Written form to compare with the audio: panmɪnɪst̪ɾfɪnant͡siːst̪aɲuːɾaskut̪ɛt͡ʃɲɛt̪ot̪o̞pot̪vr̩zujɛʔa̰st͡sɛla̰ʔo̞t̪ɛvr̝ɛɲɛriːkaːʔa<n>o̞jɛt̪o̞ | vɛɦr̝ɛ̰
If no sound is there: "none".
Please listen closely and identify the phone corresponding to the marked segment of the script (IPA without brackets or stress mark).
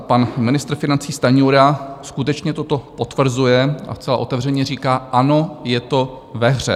n